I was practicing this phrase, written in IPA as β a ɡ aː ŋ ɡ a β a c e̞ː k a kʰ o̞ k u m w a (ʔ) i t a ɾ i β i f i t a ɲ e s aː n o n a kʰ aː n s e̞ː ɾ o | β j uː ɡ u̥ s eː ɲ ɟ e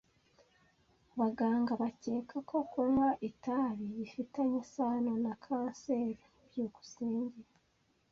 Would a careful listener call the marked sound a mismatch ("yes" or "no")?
no